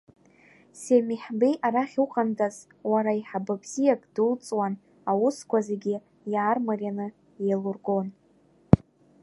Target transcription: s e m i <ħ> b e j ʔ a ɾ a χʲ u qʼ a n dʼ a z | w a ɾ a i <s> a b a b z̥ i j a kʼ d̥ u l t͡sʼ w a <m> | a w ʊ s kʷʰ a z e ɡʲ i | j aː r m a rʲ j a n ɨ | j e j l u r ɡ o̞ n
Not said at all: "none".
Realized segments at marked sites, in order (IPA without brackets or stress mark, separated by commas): ħ, ħ, n